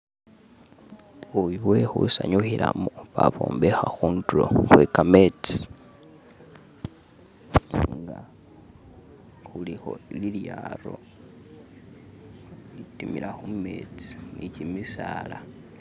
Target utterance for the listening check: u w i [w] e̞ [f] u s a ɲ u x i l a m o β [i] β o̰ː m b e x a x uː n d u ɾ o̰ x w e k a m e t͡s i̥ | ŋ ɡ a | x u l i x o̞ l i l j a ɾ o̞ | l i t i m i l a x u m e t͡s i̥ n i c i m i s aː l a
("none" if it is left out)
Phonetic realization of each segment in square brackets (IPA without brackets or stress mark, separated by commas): w, x, a